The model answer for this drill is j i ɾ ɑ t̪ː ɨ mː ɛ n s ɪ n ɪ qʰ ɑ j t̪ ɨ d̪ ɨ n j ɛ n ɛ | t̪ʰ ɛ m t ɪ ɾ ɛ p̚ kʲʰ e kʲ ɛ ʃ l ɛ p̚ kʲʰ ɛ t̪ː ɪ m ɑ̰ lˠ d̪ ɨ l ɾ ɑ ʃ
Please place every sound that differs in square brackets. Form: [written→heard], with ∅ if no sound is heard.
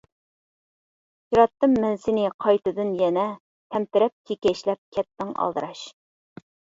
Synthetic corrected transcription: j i ɾ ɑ t̪ː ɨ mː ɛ n s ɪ n ɪ qʰ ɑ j t̪ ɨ d̪ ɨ n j ɛ n ɛ | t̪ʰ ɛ m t ɪ ɾ ɛ p̚ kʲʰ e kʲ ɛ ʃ l ɛ p̚ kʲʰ ɛ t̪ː ɪ [m→ŋ] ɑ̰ lˠ d̪ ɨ [l→∅] ɾ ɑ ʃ